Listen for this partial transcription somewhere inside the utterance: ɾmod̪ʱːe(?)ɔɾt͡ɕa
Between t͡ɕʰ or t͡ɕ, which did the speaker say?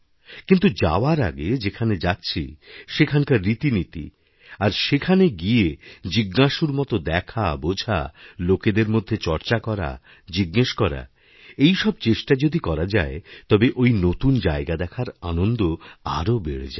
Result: t͡ɕ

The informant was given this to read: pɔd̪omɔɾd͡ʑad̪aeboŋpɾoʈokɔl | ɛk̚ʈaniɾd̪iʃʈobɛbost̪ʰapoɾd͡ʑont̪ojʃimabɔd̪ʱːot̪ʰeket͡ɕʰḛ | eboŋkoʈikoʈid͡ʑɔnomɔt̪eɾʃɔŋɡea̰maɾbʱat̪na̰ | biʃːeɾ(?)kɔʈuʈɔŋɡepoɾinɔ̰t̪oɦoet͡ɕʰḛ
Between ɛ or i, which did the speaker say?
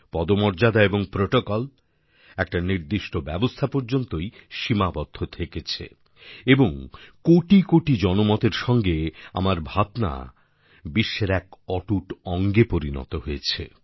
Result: ɛ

